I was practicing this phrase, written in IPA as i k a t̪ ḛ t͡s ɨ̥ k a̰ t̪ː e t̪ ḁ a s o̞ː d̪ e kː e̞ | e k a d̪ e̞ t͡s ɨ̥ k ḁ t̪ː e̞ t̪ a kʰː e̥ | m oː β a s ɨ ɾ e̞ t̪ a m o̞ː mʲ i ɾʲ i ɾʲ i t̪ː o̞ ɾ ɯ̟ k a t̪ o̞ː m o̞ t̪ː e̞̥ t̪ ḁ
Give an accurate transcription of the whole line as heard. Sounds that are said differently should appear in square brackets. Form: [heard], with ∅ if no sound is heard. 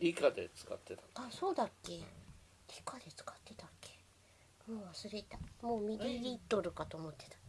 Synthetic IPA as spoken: i k a [d̪] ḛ t͡s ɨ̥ k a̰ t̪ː e t̪ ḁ a s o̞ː d̪ [a] kː e̞ | [i] k a d̪ e̞ t͡s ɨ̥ k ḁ t̪ː e̞ t̪ a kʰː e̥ | m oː β a s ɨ ɾ e̞ t̪ a m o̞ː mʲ i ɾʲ i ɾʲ i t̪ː o̞ ɾ ɯ̟ k a t̪ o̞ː m o̞ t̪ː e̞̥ t̪ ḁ